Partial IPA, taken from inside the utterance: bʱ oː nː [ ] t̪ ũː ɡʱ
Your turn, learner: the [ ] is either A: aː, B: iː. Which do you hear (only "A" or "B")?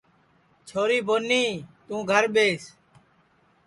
B